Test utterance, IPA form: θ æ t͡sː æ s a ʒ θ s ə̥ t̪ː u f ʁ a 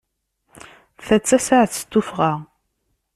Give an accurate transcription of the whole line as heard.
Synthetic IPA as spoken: θ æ t͡sː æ s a ʕ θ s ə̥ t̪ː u f ʁ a